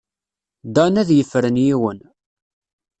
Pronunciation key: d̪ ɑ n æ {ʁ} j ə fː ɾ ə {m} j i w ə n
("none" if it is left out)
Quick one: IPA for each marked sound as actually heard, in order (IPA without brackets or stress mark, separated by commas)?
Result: ð, n